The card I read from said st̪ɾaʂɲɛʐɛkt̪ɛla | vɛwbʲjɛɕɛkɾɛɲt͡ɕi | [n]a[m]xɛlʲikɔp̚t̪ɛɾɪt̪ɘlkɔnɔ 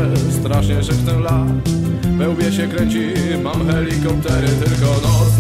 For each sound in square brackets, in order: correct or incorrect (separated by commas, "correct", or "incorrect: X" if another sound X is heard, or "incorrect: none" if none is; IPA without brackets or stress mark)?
incorrect: m, correct